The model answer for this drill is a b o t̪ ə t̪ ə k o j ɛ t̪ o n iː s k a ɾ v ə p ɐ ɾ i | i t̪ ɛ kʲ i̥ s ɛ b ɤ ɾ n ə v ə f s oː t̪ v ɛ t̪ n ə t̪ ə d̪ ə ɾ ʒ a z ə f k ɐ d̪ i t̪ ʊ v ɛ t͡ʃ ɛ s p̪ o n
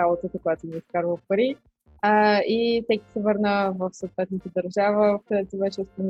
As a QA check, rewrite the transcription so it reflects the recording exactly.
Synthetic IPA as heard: a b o t̪ ə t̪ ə k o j a t̪ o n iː s k a ɾ v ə p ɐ ɾ i | i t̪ ɛ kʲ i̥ s ɛ v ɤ ɾ n ə v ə f s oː t̪ v ɛ t̪ n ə t̪ ə d̪ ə ɾ ʒ a v ə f k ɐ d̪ ɛ t̪ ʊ v ɛ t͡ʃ ɛ s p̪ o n